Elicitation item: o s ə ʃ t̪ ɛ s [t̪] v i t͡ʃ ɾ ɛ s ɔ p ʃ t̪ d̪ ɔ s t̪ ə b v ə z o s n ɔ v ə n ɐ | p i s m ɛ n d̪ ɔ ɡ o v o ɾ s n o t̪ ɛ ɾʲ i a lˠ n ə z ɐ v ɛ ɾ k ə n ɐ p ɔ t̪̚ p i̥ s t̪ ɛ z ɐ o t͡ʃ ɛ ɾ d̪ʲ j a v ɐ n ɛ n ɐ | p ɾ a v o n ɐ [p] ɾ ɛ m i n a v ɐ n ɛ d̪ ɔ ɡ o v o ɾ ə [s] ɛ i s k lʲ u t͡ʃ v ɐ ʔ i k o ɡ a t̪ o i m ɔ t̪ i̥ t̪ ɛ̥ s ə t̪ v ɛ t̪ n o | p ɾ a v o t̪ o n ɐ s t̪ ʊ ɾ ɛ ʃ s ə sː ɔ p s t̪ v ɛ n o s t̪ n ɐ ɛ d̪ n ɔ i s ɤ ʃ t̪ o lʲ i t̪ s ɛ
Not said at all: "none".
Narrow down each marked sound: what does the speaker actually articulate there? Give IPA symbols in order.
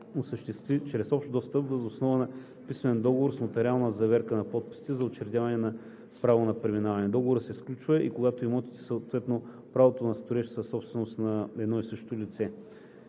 t̪, p, s

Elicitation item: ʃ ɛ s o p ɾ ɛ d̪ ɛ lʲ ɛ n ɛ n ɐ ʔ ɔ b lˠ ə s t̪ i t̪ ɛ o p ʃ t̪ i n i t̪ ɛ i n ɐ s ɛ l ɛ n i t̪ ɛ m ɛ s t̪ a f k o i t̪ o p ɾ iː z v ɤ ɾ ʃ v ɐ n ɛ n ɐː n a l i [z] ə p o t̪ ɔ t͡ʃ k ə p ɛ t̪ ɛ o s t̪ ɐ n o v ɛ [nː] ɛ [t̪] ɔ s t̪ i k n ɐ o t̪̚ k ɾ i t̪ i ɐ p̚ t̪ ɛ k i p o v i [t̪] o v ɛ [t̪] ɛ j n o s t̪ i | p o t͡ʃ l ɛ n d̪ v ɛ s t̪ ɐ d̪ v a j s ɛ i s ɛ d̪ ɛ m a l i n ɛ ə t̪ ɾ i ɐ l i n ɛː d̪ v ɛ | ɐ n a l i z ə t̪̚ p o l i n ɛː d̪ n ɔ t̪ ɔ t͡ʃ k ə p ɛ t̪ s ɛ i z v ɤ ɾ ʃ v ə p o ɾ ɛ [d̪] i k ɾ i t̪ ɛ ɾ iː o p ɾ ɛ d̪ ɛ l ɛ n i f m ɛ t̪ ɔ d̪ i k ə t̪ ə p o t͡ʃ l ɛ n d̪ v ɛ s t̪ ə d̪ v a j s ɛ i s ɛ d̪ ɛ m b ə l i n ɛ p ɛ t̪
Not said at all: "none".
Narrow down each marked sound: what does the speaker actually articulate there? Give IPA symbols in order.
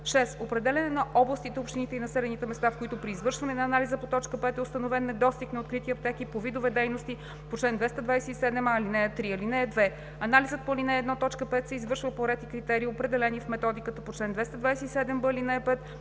z, nː, d̪, d̪, d̪, t̪

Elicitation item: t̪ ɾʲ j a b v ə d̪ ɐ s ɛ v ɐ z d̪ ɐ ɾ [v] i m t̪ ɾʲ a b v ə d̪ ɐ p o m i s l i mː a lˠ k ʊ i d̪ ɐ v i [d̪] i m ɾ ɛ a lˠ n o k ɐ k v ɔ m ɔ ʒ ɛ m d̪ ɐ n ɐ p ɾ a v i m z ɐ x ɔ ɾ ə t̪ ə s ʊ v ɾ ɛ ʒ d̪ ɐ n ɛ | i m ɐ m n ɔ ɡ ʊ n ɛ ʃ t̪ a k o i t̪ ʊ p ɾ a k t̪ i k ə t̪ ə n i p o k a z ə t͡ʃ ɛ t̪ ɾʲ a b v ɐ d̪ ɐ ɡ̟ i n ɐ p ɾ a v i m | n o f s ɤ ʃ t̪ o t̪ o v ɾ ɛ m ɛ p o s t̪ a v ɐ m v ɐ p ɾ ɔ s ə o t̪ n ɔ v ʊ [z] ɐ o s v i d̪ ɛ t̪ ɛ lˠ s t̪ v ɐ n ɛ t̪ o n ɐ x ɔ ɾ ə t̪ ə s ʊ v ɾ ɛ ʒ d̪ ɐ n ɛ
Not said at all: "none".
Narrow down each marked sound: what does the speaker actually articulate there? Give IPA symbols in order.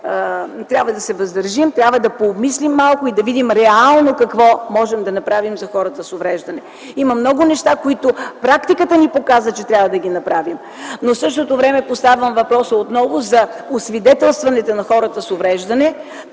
ʒ, d̪, z

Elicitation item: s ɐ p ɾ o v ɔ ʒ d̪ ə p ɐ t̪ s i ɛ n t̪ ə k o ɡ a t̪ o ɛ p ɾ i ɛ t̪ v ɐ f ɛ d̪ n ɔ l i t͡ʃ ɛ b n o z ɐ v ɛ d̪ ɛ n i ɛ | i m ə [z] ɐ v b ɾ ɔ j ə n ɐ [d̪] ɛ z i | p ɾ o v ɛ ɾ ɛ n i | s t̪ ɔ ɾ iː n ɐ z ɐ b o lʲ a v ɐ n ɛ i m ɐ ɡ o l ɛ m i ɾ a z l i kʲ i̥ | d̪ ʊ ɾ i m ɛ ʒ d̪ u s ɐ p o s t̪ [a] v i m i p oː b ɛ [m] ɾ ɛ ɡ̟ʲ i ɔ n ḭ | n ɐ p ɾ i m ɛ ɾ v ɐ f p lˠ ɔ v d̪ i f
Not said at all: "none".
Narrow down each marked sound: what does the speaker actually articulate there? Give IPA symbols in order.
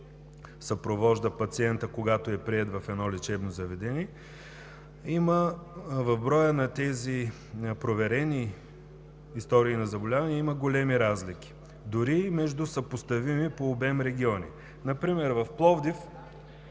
v, t̪, ɐ, m

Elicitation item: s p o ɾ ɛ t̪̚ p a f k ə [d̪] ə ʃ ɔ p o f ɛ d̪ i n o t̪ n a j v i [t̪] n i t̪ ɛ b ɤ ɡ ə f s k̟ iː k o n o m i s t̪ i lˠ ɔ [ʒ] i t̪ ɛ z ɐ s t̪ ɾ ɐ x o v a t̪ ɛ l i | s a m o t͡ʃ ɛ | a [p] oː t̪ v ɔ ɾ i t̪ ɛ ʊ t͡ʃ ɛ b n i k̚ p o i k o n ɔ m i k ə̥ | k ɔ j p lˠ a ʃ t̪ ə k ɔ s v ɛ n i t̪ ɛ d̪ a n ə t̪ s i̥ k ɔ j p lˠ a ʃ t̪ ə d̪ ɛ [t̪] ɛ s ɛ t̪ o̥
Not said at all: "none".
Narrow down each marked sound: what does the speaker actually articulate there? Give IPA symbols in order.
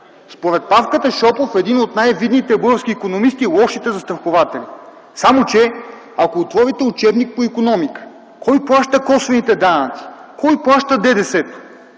t̪, d̪, ʃ, k, d̪

